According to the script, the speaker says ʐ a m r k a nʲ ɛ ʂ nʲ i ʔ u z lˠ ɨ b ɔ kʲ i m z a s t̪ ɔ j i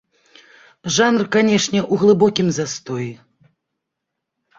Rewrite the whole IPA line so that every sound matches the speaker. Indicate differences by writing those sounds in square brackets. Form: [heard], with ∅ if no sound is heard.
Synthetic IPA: ʐ a [n] r k a nʲ ɛ ʂ nʲ [ɛ] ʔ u [ɣ] lˠ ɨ b ɔ kʲ i m z a s t̪ ɔ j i